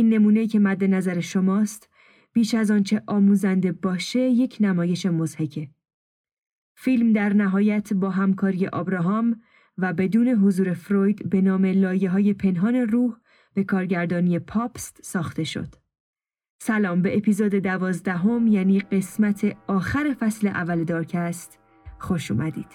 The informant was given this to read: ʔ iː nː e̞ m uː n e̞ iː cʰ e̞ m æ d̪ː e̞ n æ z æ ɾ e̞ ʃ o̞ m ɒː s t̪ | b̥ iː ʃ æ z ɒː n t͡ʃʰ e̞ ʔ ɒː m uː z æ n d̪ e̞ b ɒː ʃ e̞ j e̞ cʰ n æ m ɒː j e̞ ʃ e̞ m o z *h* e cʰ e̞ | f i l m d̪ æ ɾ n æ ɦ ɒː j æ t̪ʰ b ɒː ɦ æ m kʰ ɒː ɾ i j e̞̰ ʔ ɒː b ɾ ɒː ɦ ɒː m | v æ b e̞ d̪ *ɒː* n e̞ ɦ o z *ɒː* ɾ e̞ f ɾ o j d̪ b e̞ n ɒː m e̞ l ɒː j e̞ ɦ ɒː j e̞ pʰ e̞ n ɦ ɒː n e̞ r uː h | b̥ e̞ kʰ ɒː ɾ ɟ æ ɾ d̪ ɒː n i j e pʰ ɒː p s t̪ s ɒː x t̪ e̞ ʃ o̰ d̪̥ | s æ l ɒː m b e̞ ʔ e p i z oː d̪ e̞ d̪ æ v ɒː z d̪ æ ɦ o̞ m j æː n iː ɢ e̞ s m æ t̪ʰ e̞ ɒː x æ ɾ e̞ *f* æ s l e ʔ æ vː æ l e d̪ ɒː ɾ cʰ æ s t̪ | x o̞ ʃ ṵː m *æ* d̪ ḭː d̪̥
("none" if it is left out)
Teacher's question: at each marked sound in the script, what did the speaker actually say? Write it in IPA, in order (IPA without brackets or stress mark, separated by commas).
h, uː, uː, f, æ